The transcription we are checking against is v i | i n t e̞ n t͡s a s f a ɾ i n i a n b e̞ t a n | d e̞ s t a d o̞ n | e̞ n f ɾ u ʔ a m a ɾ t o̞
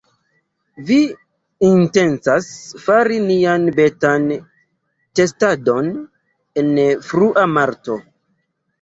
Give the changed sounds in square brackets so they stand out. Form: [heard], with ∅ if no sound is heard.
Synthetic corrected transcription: v i | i n t e̞ n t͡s a s f a ɾ i n i a n b e̞ t a n | [t] e̞ s t a d o̞ n | e̞ n f ɾ u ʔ a m a ɾ t o̞